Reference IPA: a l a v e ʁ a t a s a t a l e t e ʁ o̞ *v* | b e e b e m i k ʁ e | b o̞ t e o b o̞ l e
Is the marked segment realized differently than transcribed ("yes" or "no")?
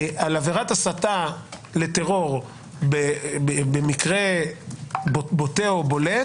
yes